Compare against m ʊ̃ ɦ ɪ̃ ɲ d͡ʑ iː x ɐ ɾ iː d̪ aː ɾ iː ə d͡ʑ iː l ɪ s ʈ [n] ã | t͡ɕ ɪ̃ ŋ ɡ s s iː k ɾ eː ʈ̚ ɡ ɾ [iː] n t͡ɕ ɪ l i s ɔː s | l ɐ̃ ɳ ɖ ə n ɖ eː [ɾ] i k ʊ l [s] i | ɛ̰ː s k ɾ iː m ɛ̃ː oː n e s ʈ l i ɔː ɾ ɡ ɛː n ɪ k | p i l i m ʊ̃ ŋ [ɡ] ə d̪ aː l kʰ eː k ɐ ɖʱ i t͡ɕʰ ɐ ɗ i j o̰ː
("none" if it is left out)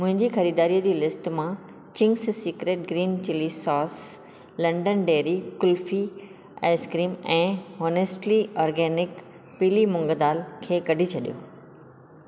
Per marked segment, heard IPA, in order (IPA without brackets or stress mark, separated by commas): m, iː, ɾ, f, ɡ